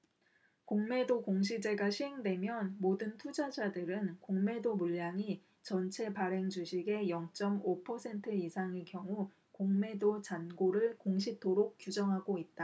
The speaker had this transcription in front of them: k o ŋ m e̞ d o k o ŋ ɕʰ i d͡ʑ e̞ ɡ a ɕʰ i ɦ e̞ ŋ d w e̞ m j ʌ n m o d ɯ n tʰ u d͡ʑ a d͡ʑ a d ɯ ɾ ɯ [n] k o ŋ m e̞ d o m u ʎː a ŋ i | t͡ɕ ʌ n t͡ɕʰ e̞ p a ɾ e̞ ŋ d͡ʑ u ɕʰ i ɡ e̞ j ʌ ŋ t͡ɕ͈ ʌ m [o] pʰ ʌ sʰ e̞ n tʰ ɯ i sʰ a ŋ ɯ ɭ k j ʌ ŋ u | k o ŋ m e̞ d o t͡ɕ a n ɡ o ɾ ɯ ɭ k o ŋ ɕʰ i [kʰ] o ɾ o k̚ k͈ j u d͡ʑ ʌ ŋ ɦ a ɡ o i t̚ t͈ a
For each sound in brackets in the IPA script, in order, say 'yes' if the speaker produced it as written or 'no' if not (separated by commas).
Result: yes, yes, no